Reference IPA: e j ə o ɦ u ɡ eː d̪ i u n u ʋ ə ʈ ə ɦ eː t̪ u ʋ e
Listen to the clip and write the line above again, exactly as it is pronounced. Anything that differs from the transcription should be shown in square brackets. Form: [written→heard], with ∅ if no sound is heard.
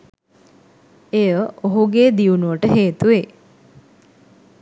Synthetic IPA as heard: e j ə o ɦ u ɡ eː d̪ i u n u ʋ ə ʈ ə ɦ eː t̪ u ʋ e